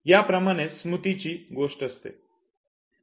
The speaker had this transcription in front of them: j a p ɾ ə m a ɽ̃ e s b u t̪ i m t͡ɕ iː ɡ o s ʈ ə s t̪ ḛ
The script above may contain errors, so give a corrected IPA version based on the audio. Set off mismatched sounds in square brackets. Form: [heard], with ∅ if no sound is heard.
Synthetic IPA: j a p ɾ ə m a ɽ̃ e s [m] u t̪ i [∅] t͡ɕ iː ɡ o [ʂ] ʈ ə s t̪ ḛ